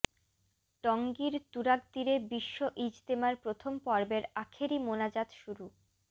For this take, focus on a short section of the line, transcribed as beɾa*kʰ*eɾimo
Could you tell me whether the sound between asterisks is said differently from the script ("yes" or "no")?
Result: no